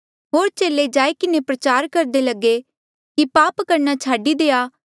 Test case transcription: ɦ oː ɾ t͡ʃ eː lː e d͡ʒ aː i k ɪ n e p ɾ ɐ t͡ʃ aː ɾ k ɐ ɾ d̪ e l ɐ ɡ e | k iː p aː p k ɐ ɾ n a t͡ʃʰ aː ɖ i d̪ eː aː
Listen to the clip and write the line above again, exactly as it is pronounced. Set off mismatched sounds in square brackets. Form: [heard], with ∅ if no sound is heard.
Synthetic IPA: ɦ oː ɾ t͡ʃ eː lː e d͡ʒ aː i k ɪ n e p ɾ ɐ t͡ʃ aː ɾ k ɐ ɾ d̪ e l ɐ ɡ e | k [i] p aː p k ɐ ɾ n a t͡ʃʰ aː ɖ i d̪ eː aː